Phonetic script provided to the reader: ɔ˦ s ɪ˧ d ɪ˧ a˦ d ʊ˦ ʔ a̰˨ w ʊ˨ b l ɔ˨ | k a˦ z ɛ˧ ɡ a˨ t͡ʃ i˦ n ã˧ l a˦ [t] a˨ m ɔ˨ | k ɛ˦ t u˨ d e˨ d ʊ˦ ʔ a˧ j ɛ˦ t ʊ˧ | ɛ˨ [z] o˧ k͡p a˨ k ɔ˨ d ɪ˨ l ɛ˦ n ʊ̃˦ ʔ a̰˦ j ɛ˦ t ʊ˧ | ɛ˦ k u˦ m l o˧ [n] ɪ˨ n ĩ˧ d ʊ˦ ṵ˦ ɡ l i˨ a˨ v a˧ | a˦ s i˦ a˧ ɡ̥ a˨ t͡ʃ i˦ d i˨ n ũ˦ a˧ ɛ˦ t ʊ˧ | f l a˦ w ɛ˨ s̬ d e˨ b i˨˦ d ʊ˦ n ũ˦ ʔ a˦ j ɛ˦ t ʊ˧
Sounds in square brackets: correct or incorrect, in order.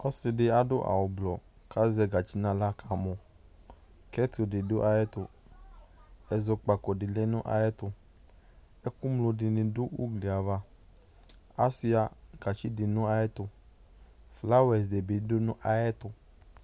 incorrect: k, correct, incorrect: d

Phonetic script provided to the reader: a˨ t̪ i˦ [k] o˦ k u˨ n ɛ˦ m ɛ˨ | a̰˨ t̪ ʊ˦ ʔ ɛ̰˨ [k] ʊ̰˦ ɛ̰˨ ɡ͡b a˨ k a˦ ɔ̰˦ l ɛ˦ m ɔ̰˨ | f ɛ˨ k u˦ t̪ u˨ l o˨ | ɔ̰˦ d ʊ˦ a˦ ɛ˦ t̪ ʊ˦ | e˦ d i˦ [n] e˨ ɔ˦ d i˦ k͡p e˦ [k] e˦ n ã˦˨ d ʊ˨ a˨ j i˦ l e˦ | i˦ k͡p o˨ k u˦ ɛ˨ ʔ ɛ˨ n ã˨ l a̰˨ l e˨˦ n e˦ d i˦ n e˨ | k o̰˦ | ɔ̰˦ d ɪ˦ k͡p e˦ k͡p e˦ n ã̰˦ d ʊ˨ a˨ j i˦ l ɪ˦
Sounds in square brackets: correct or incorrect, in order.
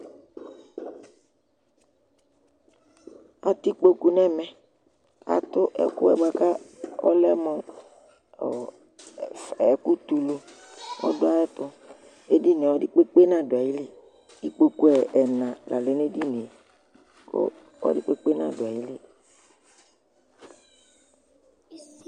incorrect: k͡p, correct, correct, incorrect: k͡p

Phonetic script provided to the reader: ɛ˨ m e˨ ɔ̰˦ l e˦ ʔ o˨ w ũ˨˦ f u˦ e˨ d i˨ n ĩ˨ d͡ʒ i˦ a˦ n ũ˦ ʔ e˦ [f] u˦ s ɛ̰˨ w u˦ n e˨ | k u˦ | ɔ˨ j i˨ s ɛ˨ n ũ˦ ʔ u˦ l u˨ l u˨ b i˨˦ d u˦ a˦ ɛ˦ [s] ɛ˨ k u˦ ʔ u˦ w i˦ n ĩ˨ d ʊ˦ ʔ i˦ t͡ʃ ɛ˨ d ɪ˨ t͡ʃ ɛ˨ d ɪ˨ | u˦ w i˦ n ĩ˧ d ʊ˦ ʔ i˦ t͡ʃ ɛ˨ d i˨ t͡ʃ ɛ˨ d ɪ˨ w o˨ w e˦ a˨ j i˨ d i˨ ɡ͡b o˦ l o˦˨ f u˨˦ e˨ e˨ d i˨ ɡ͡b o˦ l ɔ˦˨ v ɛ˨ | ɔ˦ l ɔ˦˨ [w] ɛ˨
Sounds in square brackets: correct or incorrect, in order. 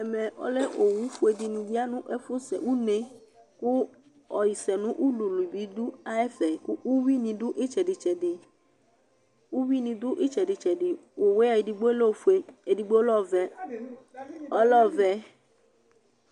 correct, incorrect: f, incorrect: v

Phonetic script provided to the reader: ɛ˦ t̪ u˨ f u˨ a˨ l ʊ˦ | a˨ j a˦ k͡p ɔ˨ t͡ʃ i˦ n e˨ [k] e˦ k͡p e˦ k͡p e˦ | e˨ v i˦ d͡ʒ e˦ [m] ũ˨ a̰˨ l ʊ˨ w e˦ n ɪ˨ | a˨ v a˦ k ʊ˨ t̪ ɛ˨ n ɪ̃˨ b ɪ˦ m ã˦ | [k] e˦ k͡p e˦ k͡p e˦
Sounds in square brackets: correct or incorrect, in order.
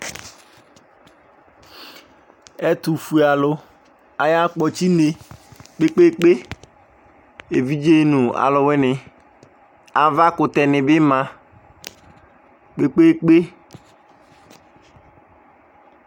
incorrect: k͡p, incorrect: n, incorrect: k͡p

